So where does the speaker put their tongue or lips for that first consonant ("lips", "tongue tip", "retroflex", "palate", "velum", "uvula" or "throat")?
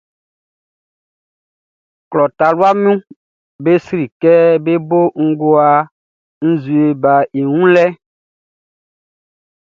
velum